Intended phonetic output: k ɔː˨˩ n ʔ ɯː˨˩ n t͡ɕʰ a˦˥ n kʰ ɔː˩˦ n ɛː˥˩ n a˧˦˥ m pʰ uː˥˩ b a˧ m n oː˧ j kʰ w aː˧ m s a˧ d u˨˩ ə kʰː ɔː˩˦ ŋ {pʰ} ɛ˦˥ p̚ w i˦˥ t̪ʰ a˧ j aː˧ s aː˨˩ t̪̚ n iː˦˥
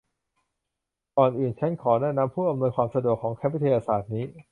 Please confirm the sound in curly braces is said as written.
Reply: no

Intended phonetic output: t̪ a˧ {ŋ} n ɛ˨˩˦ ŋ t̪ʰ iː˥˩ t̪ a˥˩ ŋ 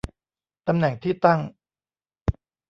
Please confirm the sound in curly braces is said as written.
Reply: no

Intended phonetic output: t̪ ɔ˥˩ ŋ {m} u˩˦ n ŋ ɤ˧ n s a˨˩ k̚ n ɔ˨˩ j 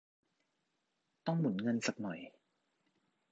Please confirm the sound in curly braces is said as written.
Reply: yes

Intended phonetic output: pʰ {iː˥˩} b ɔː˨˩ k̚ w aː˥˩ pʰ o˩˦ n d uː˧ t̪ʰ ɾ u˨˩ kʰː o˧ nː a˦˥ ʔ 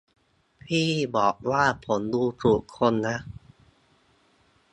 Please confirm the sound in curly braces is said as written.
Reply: yes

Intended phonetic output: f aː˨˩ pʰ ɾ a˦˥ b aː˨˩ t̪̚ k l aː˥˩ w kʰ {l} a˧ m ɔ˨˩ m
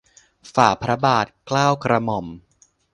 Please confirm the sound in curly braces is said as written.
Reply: no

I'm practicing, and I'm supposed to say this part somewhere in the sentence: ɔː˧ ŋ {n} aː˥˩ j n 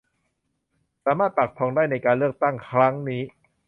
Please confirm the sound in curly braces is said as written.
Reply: no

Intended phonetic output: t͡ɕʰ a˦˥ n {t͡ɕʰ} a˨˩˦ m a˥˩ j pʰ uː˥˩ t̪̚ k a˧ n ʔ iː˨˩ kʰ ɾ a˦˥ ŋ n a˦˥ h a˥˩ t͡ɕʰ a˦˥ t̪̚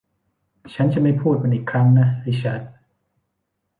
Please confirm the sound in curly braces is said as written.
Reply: no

